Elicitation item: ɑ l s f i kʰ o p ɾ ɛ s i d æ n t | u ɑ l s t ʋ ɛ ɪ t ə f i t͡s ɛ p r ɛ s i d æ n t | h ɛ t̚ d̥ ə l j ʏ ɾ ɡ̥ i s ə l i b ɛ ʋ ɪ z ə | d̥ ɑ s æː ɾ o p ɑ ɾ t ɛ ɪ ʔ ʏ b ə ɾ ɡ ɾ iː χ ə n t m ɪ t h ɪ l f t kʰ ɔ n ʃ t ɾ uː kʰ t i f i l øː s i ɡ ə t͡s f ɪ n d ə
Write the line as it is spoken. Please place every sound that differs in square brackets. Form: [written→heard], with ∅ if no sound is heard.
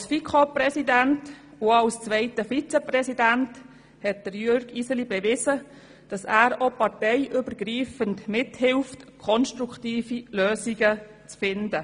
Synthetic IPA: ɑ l s f i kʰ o p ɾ ɛ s i d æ n t | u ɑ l s [t→t͡s] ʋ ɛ ɪ t ə f i t͡s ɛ p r ɛ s i d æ n t | h ɛ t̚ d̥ ə [l→ɾ] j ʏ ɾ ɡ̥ i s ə l i b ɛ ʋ ɪ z ə | d̥ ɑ s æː ɾ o p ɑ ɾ t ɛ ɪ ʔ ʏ b ə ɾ ɡ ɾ iː [χ→f] ə n t m ɪ t h ɪ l f t kʰ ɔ n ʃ t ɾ [uː→u] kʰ t [i→iː] f i l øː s i ɡ ə t͡s f ɪ n d ə